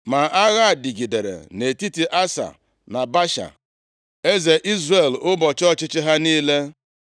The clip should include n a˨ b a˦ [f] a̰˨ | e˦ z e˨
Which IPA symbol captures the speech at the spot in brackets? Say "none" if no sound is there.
ʃ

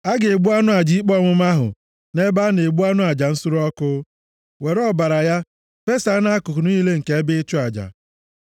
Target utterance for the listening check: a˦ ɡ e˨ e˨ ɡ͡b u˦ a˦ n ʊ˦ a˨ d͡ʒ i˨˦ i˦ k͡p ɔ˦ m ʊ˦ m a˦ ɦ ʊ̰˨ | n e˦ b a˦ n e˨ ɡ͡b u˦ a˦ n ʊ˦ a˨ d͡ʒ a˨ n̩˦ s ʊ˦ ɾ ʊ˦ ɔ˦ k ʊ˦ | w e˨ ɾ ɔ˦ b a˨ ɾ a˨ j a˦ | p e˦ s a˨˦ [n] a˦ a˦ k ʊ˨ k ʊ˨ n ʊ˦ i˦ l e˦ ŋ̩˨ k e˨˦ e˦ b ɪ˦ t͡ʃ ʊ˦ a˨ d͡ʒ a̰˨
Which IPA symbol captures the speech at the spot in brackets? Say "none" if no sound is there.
n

